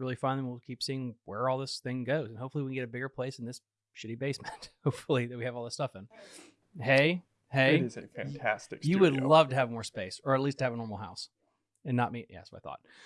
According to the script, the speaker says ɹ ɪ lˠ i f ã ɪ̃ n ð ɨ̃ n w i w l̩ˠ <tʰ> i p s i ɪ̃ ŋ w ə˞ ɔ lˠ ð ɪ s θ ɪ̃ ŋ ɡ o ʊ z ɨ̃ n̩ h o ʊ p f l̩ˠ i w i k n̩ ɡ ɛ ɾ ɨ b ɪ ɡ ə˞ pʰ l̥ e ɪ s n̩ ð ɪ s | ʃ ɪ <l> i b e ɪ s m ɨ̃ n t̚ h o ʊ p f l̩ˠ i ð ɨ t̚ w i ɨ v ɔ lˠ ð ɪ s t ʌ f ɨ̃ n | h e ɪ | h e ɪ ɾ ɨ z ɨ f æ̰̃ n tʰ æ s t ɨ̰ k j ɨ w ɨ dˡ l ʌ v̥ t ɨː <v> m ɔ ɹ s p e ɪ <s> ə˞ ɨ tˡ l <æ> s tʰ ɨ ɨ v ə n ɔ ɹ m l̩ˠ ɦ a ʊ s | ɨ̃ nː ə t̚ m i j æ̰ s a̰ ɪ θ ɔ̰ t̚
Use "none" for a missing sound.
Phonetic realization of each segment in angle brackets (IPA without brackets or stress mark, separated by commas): kʰ, ɾ, v, s, i